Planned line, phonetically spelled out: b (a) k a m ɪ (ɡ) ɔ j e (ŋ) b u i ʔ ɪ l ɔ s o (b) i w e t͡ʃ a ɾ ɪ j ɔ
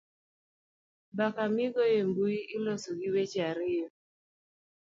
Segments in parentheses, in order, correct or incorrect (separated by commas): correct, correct, incorrect, incorrect